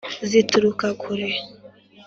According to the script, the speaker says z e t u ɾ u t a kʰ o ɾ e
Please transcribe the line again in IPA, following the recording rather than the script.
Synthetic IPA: z i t u ɾ u k a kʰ u ɾ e